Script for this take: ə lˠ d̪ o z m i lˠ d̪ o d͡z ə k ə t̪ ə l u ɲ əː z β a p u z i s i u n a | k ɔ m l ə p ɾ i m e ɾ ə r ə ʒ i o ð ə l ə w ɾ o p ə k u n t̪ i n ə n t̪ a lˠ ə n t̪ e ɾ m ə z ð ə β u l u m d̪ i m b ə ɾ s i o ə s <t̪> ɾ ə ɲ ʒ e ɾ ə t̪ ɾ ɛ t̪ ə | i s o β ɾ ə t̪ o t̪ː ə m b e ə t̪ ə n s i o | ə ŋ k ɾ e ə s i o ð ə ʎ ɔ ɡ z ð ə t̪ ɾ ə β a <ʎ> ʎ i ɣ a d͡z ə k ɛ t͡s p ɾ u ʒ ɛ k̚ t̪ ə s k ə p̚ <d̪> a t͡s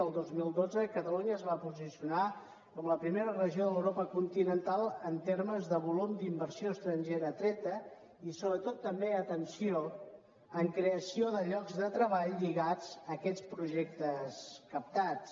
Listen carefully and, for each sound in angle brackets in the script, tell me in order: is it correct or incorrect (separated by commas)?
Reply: correct, correct, incorrect